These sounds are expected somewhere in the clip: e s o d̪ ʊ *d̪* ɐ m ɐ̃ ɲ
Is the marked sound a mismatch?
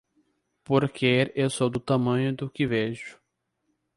yes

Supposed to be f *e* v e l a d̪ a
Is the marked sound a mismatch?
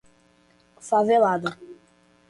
yes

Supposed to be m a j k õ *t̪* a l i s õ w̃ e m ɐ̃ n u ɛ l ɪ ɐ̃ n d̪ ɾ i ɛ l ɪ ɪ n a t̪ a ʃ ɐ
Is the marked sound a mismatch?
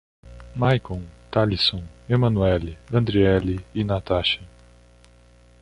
no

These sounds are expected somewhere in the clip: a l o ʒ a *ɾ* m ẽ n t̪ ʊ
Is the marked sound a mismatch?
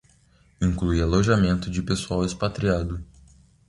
yes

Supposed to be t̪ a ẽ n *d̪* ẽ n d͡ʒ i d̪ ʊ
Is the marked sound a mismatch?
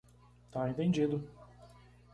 yes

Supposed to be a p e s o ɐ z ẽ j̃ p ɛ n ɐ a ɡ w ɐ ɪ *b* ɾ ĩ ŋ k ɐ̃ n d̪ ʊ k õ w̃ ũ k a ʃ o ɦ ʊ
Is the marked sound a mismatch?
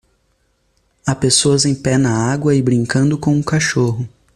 no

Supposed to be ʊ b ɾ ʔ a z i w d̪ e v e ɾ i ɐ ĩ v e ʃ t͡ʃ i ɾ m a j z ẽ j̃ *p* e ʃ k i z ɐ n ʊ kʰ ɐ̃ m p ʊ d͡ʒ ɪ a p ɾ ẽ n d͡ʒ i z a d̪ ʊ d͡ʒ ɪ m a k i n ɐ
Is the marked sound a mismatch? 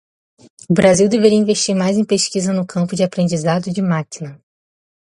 no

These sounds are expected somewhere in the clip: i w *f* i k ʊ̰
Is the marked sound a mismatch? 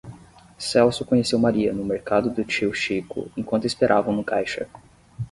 yes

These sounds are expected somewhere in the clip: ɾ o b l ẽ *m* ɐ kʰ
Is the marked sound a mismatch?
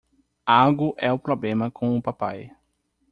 no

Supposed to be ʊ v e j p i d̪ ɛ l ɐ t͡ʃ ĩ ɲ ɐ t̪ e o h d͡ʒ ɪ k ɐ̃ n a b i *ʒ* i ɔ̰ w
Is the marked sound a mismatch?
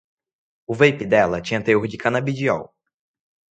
yes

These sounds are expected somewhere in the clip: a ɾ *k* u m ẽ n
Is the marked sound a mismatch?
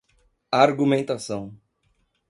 yes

